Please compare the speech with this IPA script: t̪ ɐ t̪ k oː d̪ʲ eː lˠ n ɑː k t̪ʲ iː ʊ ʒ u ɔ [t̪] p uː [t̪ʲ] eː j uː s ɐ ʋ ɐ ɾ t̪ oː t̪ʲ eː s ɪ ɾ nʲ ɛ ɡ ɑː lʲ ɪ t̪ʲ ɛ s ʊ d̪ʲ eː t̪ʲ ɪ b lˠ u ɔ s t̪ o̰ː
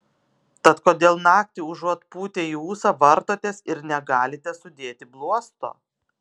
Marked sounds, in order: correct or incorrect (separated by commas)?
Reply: correct, correct